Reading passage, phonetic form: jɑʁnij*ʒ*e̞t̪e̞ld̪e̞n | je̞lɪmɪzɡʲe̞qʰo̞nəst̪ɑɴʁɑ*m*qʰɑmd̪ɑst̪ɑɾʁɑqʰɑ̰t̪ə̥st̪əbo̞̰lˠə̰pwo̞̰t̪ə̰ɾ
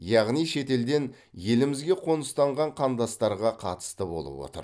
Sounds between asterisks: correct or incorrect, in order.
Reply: incorrect: ʃ, incorrect: ɴ

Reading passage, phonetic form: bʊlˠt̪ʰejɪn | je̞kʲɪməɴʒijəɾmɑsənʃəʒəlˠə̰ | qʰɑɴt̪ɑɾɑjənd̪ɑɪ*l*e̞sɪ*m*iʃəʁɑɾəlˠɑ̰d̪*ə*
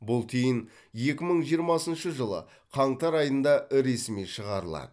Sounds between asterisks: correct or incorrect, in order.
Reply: incorrect: ɾ, correct, correct

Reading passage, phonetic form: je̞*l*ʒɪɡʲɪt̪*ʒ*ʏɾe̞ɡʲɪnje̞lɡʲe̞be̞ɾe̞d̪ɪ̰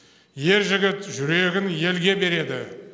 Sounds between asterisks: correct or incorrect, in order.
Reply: incorrect: ɾ, correct

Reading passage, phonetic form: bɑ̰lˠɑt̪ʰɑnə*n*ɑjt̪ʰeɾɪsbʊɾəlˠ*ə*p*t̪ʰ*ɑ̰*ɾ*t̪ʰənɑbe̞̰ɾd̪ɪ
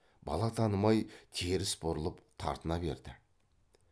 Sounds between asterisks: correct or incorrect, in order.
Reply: incorrect: m, correct, correct, correct

